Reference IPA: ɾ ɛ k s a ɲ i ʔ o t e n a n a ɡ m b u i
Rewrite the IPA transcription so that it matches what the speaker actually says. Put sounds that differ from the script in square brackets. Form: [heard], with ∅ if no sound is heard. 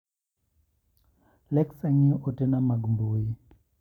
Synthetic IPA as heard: [l] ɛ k s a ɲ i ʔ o t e n a [m] a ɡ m b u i

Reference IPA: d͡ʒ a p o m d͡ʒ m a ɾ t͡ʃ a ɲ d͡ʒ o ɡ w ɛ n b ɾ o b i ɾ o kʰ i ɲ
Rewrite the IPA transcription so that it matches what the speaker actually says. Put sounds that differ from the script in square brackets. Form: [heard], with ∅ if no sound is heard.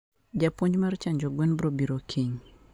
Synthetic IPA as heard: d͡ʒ a p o [ɲ] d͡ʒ m a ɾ t͡ʃ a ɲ d͡ʒ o ɡ w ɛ n b ɾ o b i ɾ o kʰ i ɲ

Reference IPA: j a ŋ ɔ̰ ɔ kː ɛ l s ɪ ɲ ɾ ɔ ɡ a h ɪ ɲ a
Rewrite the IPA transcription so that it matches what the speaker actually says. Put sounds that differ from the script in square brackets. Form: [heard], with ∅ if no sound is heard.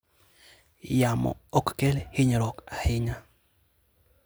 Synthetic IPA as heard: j a [m] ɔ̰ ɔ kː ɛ l [h] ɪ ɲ ɾ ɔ [k] a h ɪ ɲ a

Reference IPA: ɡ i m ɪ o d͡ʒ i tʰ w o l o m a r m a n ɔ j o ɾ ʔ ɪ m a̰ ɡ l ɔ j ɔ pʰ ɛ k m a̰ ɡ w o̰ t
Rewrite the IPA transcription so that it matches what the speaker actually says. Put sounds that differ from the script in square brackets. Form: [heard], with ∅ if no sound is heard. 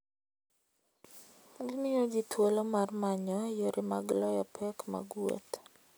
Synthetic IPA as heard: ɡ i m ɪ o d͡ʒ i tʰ w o l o m a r m a [ɲ] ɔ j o ɾ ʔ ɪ m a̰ ɡ l ɔ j ɔ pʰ ɛ k m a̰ ɡ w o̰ t

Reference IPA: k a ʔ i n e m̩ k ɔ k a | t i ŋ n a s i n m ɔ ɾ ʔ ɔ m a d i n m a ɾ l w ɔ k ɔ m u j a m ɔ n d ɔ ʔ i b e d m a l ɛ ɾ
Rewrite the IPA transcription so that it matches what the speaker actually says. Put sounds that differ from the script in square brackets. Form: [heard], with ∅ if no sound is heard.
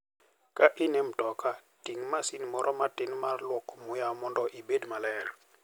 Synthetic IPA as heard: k a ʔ i n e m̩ [t] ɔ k a | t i ŋ [m] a s i n m ɔ ɾ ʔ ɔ m a [t] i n m a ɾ l w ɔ k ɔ m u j a m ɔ n d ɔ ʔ i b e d m a l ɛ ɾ

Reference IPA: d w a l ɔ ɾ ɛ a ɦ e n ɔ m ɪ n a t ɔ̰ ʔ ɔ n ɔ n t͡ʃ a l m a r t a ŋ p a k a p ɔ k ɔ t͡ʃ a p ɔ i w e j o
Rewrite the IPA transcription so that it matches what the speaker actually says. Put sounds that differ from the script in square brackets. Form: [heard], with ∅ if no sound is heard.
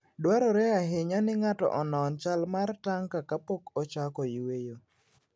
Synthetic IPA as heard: d w a [ɾ] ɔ ɾ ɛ a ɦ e [ɲ] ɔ [n] ɪ [ŋ] a t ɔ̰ ʔ ɔ n ɔ n t͡ʃ a l m a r t a ŋ [k] a k a p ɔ k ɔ t͡ʃ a [k] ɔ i w e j o

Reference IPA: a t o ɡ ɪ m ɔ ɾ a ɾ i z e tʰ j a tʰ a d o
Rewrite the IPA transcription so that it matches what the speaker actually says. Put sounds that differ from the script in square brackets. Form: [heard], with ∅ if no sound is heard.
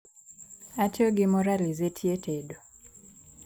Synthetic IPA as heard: a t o ɡ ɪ m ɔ ɾ a [l] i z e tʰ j [e] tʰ [e] d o

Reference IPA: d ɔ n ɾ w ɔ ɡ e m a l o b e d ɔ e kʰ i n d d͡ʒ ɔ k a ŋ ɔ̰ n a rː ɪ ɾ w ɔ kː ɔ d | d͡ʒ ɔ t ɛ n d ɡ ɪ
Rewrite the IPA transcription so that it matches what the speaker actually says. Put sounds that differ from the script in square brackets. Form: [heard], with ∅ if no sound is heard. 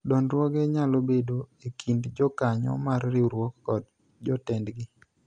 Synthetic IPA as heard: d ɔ n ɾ w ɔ ɡ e [ɲ] a l o b e d [o] e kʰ i n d d͡ʒ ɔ k a [ɲ] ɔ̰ [m] a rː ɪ ɾ w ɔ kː ɔ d | d͡ʒ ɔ t ɛ n d ɡ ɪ

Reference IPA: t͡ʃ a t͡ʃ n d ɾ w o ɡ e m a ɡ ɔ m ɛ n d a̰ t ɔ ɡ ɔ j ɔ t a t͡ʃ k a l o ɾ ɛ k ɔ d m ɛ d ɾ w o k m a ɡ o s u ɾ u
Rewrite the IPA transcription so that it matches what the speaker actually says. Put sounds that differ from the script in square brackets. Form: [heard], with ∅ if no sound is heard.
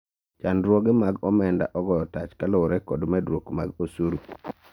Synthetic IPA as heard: t͡ʃ a [∅] n d ɾ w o ɡ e m a ɡ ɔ m ɛ n d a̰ [ʔ] ɔ ɡ ɔ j ɔ t a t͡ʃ k a l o ɾ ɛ k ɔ d m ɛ d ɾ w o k m a ɡ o s u ɾ u

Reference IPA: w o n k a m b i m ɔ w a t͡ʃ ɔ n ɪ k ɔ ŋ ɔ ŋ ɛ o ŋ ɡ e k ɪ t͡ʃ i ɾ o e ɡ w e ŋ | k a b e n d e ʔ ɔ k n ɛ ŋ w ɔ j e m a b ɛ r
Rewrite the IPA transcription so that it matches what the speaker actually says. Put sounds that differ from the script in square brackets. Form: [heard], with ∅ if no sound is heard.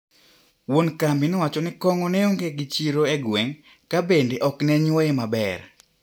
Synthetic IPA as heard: w o n k a m b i [n] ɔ w a t͡ʃ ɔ n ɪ k ɔ ŋ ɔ [n] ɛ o ŋ ɡ e [ɡ] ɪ t͡ʃ i ɾ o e ɡ w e ŋ | k a b e n d e ʔ ɔ k n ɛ [ɲ] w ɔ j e m a b ɛ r

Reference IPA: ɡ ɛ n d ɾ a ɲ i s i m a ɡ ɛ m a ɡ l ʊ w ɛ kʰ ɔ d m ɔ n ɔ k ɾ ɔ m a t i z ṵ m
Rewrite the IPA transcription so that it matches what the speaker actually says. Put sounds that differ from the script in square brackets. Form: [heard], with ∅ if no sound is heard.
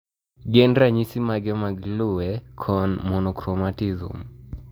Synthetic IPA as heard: ɡ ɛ n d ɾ a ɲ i s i m a ɡ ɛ m a ɡ l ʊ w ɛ kʰ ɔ [n] m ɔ n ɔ k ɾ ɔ m a t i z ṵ m

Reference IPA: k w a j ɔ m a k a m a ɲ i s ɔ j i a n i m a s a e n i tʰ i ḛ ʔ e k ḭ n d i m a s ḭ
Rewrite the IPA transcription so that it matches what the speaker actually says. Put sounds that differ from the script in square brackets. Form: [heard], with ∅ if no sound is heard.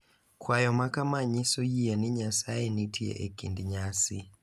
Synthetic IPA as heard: k w a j ɔ m a k a m a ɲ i s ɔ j i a n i [ɲ] a s a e n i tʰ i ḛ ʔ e k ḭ n d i [ɲ] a s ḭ

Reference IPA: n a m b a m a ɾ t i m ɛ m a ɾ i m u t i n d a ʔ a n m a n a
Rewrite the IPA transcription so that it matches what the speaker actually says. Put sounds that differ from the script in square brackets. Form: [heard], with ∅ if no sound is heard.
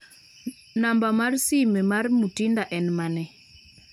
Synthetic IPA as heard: n a m b a m a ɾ [s] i m ɛ m a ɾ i m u t i n d a ʔ [ɛ] n m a n [ɛ]

